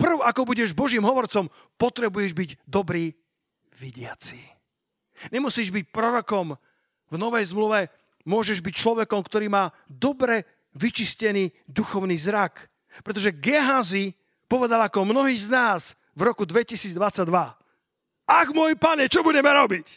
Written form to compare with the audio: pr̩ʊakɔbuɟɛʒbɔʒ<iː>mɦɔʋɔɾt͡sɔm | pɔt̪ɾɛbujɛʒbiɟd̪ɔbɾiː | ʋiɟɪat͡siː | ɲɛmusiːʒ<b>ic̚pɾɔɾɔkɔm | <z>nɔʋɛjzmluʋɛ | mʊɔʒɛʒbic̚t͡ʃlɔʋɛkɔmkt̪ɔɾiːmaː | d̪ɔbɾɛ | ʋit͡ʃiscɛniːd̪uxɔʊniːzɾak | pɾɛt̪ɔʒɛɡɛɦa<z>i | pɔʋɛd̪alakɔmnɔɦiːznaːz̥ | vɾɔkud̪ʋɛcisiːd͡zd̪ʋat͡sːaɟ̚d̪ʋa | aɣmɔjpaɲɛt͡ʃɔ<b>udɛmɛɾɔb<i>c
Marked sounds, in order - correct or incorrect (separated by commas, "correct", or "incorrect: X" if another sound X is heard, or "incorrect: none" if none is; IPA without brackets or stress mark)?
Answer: correct, correct, incorrect: v, correct, correct, correct